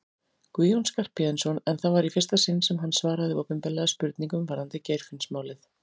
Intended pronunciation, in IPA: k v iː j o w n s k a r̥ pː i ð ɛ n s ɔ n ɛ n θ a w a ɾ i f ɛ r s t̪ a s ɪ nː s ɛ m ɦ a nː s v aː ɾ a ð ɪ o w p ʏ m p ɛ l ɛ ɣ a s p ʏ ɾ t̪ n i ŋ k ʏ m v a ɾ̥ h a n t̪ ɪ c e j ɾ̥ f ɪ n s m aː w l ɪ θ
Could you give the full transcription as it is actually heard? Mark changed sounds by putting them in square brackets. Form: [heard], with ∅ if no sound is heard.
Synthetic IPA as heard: k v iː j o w n s k a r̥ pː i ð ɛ n s ɔ n ɛ n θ a [v] a ɾ i f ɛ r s t̪ a s ɪ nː s ɛ m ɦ a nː s v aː ɾ a ð ɪ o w p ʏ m p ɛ l ɛ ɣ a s p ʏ ɾ t̪ n i ŋ k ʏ m v a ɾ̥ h a n t̪ ɪ c e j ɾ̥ f ɪ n s m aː w l ɪ θ